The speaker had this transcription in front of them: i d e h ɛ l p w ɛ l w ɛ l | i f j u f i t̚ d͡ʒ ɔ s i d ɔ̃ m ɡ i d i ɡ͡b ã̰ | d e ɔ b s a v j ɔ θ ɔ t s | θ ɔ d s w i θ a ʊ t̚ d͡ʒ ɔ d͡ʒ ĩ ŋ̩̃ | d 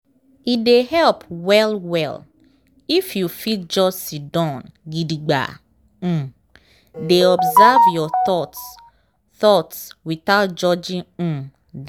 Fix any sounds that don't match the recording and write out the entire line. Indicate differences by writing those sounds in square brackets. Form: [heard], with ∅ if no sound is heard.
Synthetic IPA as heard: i d e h ɛ l p w ɛ l w ɛ l | i f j u f i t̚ d͡ʒ ɔ s i d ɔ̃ [n] ɡ i d i ɡ͡b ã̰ | d e ɔ b [z] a v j ɔ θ ɔ t s | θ ɔ [t] s w i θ a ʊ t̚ d͡ʒ ɔ d͡ʒ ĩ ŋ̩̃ | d